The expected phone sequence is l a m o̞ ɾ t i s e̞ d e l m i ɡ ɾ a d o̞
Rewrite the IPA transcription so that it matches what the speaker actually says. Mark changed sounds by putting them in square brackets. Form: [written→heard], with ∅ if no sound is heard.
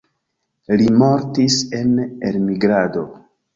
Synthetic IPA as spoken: l [a→i] m o̞ ɾ t i s e̞ [d→n] e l m i ɡ ɾ a d o̞